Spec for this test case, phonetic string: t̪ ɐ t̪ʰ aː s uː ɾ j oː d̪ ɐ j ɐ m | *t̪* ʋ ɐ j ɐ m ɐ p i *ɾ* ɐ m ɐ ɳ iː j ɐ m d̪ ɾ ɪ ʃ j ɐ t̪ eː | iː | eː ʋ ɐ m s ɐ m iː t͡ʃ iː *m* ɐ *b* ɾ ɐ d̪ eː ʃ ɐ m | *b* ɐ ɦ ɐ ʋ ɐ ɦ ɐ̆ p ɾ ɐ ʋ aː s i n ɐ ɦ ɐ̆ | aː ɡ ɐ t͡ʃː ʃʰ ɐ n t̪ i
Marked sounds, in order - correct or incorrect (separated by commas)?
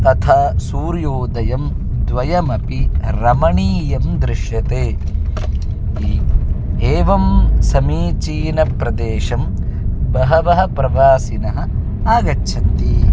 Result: incorrect, correct, incorrect, incorrect, correct